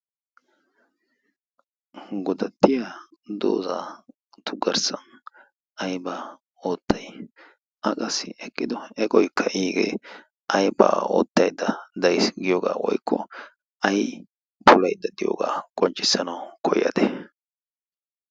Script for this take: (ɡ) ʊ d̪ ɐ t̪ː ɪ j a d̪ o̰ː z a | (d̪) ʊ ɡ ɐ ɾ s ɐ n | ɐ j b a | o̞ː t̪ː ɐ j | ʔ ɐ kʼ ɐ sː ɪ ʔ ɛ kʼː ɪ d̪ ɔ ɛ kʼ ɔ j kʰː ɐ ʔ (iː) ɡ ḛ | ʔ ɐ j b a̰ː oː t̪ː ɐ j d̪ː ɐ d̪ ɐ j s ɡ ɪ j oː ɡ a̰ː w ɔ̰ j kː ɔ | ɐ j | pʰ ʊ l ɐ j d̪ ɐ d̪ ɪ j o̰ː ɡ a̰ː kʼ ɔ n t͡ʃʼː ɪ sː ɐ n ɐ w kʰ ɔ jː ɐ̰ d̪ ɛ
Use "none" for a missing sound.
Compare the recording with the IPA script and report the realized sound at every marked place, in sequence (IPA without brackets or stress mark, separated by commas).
ɡ, t̪, iː